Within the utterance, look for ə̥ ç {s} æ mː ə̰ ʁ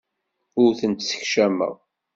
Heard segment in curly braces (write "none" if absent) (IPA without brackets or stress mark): ʃ